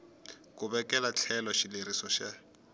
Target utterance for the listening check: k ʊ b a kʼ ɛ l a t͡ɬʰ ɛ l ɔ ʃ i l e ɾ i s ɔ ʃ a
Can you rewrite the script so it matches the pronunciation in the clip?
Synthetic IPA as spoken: k ʊ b ɛ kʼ ɛ l a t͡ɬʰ ɛ l ɔ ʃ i l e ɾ i s ɔ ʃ a